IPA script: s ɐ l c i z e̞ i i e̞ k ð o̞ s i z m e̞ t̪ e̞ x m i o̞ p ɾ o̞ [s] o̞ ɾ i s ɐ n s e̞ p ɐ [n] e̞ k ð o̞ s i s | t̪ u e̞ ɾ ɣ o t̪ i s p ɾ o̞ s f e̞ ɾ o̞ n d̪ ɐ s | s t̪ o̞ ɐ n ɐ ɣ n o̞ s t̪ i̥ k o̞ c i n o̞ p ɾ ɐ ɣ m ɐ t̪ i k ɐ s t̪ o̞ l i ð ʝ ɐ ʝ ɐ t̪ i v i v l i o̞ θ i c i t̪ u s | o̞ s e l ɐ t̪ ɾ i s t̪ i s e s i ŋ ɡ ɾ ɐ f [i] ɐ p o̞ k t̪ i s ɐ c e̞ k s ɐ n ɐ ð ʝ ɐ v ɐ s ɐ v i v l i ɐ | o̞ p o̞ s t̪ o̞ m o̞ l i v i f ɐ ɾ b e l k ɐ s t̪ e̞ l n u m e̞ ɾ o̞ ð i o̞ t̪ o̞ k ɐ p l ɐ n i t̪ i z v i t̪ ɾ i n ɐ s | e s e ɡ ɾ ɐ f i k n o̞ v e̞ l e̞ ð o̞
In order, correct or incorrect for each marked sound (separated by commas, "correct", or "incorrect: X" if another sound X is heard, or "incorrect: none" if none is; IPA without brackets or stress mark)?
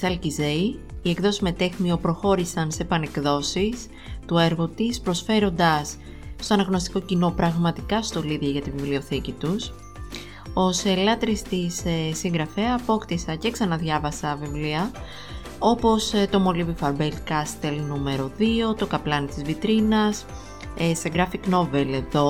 incorrect: x, correct, incorrect: e